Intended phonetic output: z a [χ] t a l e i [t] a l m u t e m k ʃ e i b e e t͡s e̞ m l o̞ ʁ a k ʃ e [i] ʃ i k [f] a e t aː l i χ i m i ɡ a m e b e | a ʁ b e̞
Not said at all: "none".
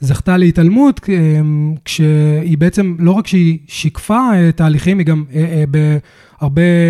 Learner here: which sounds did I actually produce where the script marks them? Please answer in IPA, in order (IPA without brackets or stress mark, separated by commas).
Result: χ, t, i, f